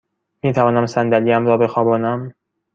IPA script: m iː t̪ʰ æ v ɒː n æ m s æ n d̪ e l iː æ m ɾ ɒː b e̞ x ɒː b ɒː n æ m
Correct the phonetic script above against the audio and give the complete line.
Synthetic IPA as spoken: m iː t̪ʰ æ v ɒː n æ m s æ n d̪ æ l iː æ m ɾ ɒː b e̞ x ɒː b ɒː n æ m

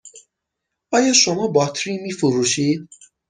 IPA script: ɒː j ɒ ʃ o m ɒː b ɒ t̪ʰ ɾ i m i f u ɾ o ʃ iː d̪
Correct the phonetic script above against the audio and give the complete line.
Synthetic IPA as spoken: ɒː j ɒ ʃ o m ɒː b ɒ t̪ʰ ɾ i m i f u ɾ u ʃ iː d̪

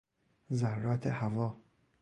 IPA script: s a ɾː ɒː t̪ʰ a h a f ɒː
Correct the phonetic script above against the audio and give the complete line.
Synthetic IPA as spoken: z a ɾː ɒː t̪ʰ e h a v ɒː

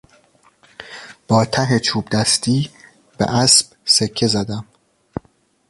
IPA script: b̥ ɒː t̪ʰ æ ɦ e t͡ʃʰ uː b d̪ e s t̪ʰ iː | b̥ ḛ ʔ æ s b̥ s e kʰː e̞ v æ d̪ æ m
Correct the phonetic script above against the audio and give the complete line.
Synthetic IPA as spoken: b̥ ɒː t̪ʰ æ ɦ e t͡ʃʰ uː b d̪ æ s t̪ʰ iː | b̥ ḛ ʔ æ s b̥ s e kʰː e̞ z æ d̪ æ m

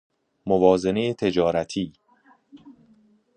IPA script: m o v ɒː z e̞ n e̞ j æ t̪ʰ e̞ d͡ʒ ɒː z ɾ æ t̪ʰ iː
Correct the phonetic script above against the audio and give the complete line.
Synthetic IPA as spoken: m o v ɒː z e̞ n e̞ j e t̪ʰ e̞ d͡ʒ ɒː ɾ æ t̪ʰ iː

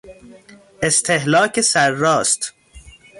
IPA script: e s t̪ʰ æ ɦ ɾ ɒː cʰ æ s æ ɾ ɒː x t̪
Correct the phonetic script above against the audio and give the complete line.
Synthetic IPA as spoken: e s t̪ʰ e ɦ l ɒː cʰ e s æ ɾː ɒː s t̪

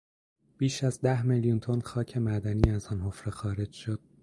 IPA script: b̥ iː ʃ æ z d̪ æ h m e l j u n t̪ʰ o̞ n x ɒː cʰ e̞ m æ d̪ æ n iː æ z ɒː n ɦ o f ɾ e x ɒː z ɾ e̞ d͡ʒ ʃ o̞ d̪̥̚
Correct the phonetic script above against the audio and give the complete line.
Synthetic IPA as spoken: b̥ iː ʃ æ z d̪ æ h m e l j u n t̪ʰ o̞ n x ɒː cʰ e̞ m æ d̪ æ n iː æ z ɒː n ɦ o f ɾ e x ɒː ɾ e̞ d͡ʒ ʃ o̞ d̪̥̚

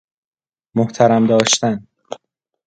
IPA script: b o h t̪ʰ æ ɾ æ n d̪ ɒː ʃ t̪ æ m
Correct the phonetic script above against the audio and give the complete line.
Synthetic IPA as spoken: m o h t̪ʰ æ ɾ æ m d̪ ɒː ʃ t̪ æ n

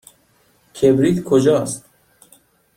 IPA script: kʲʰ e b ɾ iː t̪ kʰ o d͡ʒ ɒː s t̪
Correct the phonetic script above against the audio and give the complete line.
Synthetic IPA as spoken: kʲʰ e b ɾ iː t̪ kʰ o d͡ʒ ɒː s t̪

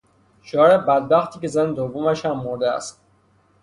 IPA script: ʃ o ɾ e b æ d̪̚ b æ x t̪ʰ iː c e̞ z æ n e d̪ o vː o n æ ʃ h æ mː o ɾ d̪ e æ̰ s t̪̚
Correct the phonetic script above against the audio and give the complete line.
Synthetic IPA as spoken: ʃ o ɾ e b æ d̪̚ b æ x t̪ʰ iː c e̞ z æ n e d̪ o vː o m æ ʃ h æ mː o ɾ d̪ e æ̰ s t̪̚

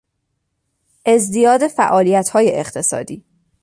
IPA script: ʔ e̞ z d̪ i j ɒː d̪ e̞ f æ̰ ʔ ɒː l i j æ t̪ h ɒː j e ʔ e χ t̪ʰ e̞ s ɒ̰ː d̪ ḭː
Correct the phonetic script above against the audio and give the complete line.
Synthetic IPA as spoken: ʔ e̞ z d̪ i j ɒː d̪ e̞ f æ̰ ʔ ɒː l i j æ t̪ h ɒː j e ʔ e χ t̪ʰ e̞ s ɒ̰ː d̪ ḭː

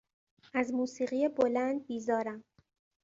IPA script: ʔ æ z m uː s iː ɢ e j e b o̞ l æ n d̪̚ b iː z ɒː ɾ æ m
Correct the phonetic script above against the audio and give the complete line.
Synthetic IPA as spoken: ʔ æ z m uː s iː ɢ i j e b o̞ l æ n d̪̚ b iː z ɒː ɾ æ m

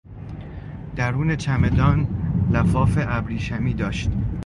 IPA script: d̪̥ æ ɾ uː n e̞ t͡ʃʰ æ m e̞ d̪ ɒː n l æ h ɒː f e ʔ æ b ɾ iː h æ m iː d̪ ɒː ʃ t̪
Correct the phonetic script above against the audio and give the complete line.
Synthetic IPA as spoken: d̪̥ æ ɾ uː n e̞ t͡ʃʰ æ m e̞ d̪ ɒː n l æ f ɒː f e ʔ æ b ɾ iː ʃ æ m iː d̪ ɒː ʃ t̪

